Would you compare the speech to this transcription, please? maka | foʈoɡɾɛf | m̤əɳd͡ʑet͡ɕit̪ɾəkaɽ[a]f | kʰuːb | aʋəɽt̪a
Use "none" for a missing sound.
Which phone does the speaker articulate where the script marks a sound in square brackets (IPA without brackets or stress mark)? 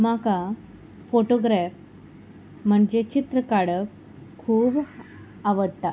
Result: ə